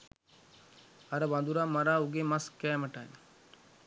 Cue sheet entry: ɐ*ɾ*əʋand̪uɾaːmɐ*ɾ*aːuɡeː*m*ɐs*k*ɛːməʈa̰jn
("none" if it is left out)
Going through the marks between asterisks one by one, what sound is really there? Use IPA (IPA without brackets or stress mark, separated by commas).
ɾ, ɾ, m, k